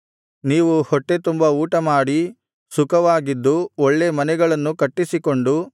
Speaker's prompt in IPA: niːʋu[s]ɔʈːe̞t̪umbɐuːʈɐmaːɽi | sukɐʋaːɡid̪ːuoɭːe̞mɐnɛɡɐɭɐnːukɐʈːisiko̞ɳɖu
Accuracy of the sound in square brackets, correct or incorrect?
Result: incorrect